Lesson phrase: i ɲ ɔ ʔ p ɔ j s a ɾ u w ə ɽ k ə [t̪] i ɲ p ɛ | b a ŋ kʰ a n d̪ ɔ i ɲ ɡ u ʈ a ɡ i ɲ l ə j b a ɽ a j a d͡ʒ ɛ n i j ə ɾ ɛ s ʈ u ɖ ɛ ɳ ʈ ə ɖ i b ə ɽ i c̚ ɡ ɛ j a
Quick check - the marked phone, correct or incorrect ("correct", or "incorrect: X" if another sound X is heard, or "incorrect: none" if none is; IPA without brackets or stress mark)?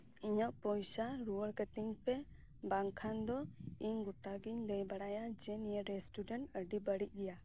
correct